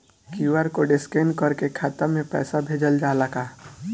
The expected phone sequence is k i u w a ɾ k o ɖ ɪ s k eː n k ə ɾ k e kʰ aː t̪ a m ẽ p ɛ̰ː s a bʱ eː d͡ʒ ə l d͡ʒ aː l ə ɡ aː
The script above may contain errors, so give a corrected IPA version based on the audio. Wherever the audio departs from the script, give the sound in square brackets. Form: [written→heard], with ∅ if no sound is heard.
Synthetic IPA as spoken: k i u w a ɾ k o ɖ ɪ s k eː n k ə ɾ k e kʰ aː t̪ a m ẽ p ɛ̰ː s a bʱ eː d͡ʒ ə l d͡ʒ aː l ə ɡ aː